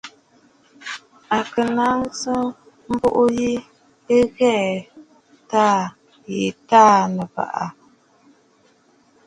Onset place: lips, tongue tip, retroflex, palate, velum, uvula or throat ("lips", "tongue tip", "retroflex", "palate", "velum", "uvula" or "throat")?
velum